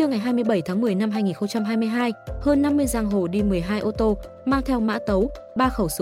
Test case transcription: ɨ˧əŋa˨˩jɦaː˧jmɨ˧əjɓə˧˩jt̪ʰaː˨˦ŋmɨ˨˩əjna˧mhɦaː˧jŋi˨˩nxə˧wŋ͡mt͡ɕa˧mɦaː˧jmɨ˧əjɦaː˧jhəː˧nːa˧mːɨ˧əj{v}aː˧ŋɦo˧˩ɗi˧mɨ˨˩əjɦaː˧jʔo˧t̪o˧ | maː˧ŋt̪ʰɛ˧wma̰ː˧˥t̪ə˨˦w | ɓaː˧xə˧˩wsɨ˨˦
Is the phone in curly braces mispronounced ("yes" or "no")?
yes